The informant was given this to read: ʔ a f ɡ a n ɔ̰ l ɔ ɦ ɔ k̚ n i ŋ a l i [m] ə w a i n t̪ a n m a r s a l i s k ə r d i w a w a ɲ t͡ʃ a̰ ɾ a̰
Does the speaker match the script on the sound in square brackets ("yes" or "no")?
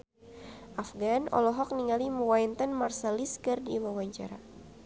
yes